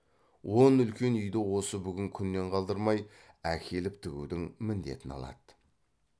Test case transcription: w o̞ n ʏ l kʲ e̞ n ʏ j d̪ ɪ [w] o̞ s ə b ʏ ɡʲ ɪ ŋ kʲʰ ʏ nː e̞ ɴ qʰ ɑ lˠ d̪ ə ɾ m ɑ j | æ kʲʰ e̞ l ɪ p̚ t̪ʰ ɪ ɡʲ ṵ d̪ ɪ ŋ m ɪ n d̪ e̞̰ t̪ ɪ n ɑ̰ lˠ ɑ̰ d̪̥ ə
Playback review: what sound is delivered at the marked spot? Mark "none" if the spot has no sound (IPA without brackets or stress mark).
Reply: w